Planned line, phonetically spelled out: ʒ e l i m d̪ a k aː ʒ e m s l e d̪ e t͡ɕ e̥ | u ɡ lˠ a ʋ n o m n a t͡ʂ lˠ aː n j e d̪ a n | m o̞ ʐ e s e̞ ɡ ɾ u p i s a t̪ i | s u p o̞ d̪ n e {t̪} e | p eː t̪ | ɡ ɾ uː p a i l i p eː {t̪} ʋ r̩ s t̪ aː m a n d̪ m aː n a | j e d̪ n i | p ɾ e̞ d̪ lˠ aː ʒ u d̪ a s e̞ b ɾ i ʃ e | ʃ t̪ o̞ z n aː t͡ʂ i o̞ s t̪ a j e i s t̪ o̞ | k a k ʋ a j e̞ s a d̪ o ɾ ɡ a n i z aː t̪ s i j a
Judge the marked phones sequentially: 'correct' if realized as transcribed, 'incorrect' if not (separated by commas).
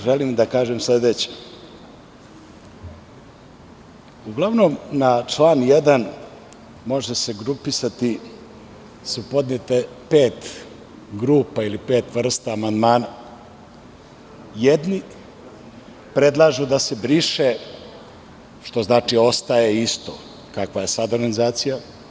correct, correct